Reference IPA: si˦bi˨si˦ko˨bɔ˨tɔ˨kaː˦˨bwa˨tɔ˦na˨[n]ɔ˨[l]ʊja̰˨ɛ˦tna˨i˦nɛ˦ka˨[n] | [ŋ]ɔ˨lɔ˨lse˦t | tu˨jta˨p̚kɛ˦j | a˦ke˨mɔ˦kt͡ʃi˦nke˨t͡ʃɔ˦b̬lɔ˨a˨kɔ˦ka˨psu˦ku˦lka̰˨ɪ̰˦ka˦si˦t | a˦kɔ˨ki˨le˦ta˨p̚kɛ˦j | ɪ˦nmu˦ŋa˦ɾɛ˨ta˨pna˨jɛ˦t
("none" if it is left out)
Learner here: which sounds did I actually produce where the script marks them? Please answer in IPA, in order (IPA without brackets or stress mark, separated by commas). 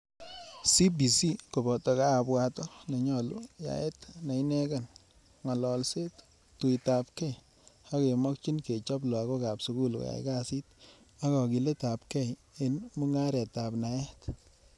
ɲ, l, n, ŋ